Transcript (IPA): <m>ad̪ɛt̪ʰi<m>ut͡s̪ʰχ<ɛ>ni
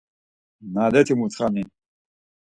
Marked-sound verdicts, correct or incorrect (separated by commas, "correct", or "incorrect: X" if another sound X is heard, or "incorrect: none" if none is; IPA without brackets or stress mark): incorrect: n, correct, incorrect: a